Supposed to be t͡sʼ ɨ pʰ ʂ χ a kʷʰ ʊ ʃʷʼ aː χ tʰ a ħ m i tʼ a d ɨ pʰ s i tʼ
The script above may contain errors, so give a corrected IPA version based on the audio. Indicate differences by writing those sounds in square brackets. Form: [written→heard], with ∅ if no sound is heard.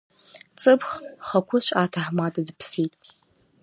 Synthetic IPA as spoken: t͡sʼ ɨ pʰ [ʂ→χ] χ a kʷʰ ʊ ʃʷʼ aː [χ→∅] tʰ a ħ m [i→a] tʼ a d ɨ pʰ s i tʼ